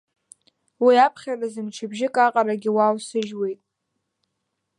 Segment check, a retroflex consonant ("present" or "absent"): absent